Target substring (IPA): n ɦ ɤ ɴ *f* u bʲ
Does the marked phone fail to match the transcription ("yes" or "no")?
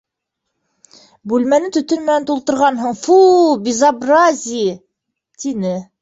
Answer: no